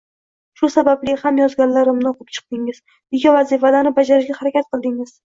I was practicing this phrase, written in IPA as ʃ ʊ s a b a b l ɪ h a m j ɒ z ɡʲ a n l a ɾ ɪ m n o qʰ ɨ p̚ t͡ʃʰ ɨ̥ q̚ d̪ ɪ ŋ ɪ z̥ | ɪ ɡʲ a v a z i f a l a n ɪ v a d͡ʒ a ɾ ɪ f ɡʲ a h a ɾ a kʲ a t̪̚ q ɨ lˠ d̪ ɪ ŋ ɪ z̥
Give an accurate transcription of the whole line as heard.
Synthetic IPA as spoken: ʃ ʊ s a b a b l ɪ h a m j ɒ z ɡʲ a n l a ɾ ɪ m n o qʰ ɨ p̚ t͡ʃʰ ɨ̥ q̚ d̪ ɪ ŋ ɪ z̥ | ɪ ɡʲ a v a z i f a l a n ɪ b a d͡ʒ a ɾ ɪ ʃ ɡʲ a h a ɾ a kʲ a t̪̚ q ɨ lˠ d̪ ɪ ŋ ɪ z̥

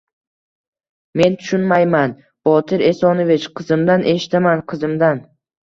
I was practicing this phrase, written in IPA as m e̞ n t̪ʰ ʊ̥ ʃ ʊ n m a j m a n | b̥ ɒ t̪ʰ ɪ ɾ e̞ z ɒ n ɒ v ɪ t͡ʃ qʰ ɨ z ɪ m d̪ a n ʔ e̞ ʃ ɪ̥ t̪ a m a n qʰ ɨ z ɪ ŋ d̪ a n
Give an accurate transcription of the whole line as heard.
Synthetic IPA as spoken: m e̞ n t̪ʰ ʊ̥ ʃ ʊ n m a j m a n | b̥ ɒ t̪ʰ ɪ ɾ e̞ s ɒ n o v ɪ t͡ʃ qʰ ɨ z ɪ m d̪ a n ʔ e̞ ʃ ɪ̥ t̪ a m a n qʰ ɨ z ɪ m d̪ a n

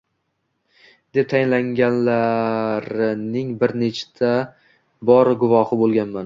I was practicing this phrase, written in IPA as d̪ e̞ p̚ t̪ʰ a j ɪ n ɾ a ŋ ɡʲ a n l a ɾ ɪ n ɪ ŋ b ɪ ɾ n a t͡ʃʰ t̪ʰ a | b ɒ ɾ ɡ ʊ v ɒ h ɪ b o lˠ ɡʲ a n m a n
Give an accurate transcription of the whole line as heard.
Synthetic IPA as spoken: d̪ e̞ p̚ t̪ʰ a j ɪ n l a ŋ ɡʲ a n l a ɾ ɪ n ɪ ŋ b ɪ ɾ n e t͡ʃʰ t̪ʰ a | b ɒ ɾ ɡ ʊ v ɒ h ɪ b o lˠ ɡʲ a n m a n

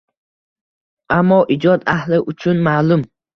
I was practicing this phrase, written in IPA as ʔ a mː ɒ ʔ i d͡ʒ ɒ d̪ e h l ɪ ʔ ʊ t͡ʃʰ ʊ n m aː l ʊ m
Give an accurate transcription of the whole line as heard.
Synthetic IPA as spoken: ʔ a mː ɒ ʔ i d͡ʒ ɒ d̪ a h l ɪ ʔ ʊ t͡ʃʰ ʊ n m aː l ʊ m

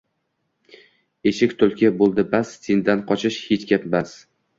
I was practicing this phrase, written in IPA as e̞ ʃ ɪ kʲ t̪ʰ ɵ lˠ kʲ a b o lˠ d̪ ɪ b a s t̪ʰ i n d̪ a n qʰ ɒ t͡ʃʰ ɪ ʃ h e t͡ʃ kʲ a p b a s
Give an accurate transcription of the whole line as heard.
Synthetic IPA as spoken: e̞ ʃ ɪ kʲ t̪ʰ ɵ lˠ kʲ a b o lˠ d̪ ɪ b a s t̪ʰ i n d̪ a n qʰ ɒ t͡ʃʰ ɪ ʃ h e t͡ʃ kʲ a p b a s

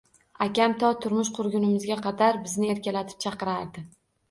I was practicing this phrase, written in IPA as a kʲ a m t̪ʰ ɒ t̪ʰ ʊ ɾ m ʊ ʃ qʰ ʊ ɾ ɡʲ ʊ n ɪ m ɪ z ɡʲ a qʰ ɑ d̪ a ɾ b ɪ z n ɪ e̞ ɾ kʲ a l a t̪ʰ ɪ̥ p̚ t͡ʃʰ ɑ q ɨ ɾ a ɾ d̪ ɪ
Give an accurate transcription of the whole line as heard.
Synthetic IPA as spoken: a kʲ a m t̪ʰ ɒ t̪ʰ ʊ ɾ m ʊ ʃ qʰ ʊ ɾ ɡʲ ʊ n ɪ m ɪ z ɡʲ a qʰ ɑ d̪ a ɾ b ɪ z n ɪ e̞ ɾ kʲ a l a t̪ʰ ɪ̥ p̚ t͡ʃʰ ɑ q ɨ ɾ a ɾ d̪ ɪ

